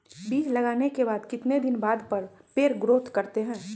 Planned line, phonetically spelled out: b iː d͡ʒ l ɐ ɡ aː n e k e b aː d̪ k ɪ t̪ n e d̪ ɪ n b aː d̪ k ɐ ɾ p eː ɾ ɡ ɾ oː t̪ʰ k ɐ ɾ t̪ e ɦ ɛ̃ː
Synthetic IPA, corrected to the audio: b iː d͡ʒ l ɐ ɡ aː n e k e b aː d̪ k ɪ t̪ n e d̪ ɪ n b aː d̪ p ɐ ɾ p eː ɾ ɡ ɾ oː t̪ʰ k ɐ ɾ t̪ e ɦ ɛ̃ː